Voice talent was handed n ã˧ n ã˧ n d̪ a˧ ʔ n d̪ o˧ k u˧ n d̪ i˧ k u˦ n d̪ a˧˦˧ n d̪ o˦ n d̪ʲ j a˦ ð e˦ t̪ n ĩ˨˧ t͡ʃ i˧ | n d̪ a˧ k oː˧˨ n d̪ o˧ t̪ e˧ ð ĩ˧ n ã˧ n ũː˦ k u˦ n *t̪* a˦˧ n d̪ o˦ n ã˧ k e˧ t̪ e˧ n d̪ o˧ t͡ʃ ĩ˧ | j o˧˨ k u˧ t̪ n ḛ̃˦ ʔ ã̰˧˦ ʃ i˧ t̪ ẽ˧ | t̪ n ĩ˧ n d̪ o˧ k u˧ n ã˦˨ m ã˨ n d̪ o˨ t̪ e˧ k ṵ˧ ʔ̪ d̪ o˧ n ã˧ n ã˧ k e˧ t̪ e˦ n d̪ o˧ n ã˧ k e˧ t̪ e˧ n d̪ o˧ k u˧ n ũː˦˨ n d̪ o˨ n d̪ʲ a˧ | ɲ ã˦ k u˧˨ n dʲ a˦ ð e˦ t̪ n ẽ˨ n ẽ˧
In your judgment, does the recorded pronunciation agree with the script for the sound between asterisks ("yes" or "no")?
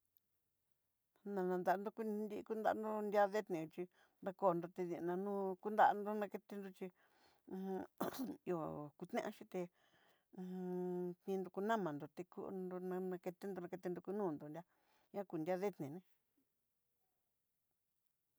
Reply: no